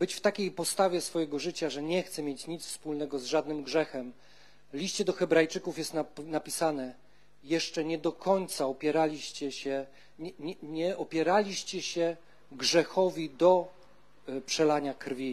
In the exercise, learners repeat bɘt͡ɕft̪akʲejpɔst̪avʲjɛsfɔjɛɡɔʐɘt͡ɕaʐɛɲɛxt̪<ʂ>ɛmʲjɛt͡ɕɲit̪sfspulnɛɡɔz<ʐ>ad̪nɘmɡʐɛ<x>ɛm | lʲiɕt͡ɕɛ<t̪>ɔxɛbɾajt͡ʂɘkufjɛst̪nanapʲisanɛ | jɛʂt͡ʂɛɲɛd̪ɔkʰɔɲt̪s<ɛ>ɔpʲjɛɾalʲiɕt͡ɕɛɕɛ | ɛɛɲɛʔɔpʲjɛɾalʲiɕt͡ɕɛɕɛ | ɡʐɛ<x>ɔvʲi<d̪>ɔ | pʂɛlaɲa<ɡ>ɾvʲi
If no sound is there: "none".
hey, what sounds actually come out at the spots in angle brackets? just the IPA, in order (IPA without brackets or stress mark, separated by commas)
s, ʐ, x, d̪, a, x, d̪, k